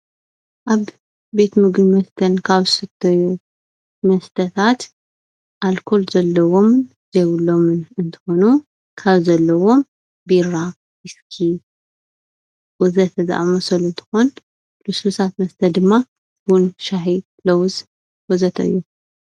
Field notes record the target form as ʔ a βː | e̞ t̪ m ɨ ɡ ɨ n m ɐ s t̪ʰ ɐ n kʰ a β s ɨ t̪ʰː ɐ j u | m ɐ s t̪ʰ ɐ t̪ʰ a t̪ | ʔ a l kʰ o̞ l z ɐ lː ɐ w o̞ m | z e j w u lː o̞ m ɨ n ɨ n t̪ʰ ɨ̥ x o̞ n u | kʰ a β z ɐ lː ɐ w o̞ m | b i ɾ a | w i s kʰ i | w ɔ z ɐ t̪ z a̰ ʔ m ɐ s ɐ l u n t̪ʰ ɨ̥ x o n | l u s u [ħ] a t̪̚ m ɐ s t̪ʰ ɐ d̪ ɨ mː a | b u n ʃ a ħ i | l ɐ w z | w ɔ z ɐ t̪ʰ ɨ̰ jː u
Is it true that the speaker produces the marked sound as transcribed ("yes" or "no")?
no